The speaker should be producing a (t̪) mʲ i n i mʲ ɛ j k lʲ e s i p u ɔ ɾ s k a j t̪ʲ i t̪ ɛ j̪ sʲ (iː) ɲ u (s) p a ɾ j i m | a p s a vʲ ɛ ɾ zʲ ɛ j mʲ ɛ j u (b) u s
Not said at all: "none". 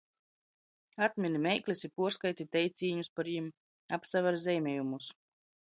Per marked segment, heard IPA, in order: t̪, iː, s, m

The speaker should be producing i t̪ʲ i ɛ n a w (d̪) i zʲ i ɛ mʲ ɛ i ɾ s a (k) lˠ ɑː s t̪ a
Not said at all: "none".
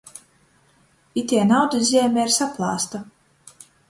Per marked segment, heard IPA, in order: d̪, p

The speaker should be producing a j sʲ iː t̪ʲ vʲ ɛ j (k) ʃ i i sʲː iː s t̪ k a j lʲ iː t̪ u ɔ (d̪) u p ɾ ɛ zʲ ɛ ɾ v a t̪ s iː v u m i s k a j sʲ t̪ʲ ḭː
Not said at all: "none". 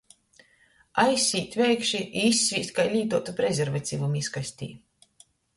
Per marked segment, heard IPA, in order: k, t̪

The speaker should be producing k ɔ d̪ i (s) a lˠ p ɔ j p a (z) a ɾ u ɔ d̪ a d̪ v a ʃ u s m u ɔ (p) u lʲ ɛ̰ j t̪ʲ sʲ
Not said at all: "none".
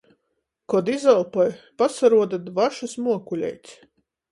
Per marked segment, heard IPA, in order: z, s, k

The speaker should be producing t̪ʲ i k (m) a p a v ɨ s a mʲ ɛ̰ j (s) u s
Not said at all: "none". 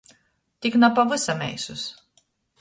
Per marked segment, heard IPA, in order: n, s

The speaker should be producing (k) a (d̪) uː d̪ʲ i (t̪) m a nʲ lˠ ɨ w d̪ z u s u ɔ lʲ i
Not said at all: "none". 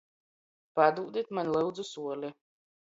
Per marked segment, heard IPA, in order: p, d̪, t̪

